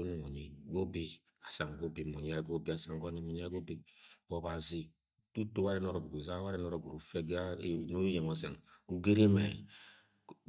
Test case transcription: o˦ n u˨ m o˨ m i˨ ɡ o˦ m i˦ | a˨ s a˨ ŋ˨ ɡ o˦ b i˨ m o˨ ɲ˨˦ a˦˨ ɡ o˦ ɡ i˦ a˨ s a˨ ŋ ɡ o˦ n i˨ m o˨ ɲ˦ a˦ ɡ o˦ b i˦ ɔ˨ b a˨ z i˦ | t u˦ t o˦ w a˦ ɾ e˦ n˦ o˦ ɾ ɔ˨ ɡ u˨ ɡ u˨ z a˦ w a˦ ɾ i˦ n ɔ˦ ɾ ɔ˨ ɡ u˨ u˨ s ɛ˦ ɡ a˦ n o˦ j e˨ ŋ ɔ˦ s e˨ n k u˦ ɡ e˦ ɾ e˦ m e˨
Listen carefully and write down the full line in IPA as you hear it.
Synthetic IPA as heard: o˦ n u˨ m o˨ ɲ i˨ ɡ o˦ b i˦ | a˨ s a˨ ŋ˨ ɡ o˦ b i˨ m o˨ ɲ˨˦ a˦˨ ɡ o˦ b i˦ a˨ s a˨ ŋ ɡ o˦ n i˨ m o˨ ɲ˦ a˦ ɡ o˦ b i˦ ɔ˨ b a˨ z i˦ | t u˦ t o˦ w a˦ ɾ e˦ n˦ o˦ ɾ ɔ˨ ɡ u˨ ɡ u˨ z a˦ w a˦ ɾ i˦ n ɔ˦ ɾ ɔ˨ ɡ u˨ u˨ f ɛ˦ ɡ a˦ n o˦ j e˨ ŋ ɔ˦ s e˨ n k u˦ ɡ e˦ ɾ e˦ m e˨